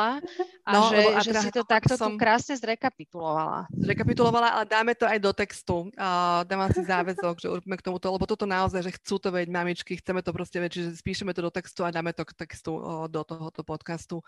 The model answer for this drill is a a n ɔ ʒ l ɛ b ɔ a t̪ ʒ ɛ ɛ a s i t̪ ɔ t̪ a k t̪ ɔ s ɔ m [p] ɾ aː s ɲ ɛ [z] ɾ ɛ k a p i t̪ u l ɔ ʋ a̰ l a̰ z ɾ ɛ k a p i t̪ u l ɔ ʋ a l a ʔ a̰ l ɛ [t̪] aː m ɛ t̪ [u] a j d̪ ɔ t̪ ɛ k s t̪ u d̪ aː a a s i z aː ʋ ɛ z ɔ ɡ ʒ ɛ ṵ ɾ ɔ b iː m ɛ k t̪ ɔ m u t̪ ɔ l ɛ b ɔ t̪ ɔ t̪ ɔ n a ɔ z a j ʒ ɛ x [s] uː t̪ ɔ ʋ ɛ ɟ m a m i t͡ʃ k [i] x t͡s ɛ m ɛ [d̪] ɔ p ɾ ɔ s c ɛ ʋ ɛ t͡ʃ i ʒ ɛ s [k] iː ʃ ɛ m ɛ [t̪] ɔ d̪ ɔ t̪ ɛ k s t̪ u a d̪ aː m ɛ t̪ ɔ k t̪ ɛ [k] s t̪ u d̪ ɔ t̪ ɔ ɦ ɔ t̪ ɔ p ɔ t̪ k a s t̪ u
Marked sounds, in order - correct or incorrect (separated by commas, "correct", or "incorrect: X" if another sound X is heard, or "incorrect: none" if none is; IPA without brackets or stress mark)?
incorrect: k, correct, incorrect: d̪, incorrect: ɔ, incorrect: t͡s, correct, incorrect: t̪, incorrect: p, correct, correct